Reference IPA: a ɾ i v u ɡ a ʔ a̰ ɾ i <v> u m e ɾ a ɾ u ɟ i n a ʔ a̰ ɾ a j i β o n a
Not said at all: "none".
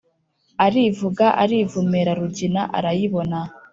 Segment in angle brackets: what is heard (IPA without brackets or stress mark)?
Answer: v